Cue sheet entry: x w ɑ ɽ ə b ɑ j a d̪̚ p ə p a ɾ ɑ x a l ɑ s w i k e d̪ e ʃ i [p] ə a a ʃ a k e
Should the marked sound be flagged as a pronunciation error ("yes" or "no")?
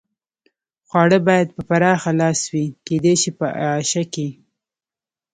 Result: no